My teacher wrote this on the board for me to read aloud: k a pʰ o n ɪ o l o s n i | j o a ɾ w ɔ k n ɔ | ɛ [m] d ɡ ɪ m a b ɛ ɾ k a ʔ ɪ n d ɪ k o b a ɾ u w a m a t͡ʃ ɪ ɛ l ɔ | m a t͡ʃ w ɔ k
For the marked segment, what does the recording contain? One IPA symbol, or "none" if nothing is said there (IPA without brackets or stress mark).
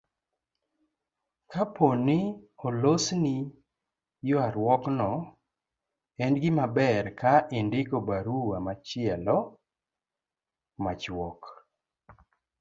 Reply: n